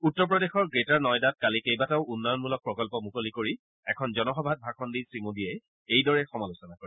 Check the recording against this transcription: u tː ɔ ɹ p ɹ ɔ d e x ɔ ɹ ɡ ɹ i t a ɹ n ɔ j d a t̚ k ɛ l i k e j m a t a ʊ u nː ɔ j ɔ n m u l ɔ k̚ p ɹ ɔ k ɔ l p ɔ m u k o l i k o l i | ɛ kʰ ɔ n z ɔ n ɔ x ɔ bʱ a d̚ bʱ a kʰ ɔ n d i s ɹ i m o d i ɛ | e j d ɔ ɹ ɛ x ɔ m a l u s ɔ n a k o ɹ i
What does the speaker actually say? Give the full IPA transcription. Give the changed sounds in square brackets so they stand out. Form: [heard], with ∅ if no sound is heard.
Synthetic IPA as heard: u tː ɔ ɹ p ɹ ɔ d e x ɔ ɹ ɡ ɹ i t a ɹ n ɔ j d a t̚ k [a] l i k e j [b] a t a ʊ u nː ɔ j ɔ n m u l ɔ k̚ p ɹ ɔ k ɔ l p ɔ m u k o l i k o [ɹ] i | ɛ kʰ ɔ n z ɔ n ɔ x ɔ bʱ a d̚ bʱ a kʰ ɔ n d i s ɹ i m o d i ɛ | e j d ɔ ɹ ɛ x ɔ m a l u s ɔ n a k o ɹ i